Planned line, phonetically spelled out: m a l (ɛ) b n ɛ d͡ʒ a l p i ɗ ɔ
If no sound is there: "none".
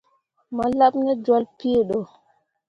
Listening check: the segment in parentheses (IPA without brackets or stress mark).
a